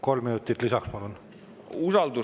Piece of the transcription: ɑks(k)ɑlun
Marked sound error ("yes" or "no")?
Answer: yes